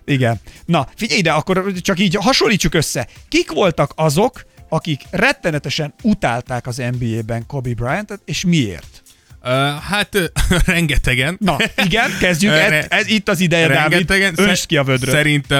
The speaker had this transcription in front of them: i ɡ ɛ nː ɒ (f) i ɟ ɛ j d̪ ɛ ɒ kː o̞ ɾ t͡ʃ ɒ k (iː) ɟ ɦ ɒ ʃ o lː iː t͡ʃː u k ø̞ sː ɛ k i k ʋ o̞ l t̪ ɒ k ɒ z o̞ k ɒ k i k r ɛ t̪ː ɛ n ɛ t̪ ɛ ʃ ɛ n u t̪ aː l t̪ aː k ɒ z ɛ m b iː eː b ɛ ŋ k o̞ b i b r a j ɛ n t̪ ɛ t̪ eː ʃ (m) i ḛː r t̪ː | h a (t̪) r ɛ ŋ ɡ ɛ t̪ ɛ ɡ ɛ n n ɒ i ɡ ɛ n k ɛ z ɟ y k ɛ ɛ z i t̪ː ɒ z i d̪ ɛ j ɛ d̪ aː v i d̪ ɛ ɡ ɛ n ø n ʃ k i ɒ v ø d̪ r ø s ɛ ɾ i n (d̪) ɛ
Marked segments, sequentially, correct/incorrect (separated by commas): correct, correct, correct, correct, incorrect